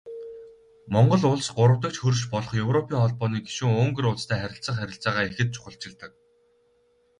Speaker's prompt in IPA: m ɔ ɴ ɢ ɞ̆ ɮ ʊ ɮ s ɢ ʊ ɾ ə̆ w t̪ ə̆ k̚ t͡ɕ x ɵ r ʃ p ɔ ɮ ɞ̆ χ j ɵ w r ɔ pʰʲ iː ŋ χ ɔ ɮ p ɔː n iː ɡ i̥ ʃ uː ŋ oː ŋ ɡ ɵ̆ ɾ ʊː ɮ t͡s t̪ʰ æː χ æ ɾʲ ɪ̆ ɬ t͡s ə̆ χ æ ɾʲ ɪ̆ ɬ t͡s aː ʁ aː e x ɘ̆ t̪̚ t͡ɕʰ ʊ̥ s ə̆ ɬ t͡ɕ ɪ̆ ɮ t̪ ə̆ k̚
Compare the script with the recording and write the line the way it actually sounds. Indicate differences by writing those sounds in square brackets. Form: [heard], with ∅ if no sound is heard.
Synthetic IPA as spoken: m ɔ ɴ ɢ ɞ̆ ɮ ʊ ɮ s ɢ ʊ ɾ ə̆ w t̪ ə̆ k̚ t͡ɕ x ɵ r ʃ p ɔ ɮ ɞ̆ χ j ɵ w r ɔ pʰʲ iː ŋ χ ɔ ɮ p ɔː n iː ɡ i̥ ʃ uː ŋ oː ŋ ɡ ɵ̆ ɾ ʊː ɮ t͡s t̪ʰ æː χ æ ɾʲ ɪ̆ ɬ t͡s ə̆ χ æ ɾʲ ɪ̆ ɬ t͡s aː ʁ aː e x ɘ̆ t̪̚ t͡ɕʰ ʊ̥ [χ] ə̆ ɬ t͡ɕ ɪ̆ ɮ t̪ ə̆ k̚

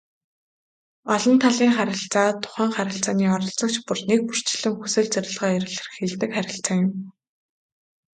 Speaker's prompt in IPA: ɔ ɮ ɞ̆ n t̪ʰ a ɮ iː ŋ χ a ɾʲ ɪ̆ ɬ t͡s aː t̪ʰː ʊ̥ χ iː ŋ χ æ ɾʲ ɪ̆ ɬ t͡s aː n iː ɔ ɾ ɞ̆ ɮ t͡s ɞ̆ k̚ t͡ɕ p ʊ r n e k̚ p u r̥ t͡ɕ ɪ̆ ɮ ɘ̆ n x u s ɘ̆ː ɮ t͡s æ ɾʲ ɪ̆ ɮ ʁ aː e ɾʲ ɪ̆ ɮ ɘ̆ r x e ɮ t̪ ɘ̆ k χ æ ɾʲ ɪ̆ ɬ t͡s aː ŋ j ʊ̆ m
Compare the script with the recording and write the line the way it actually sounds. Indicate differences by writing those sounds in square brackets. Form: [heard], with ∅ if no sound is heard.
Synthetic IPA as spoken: ɔ ɮ ɞ̆ n t̪ʰ a ɮ iː ŋ χ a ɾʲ ɪ̆ ɬ t͡s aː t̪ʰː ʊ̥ χ [æː] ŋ χ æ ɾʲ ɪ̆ ɬ t͡s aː n iː ɔ ɾ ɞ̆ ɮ t͡s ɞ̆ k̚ t͡ɕ p ʊ r n e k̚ p u r̥ t͡ɕ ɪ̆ ɮ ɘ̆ [ŋ] x u s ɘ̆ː ɮ t͡s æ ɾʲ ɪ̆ ɮ ʁ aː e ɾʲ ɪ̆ ɮ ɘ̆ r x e ɮ t̪ ɘ̆ k χ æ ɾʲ ɪ̆ ɬ t͡s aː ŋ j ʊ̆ m

